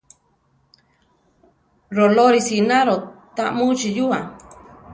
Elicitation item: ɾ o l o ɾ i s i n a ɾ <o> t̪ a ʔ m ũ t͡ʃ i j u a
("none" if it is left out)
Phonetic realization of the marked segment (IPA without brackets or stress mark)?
o